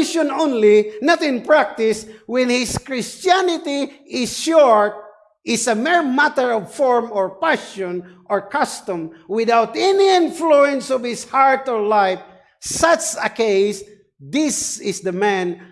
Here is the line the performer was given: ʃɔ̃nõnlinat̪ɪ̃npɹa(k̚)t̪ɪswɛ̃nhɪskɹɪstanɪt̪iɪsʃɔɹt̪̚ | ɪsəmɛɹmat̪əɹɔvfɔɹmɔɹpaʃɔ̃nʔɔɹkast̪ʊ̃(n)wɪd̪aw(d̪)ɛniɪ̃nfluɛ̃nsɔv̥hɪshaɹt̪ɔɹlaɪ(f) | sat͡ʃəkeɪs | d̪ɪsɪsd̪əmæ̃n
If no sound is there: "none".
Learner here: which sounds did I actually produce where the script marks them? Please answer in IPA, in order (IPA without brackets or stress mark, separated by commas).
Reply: k̚, m, t̪, f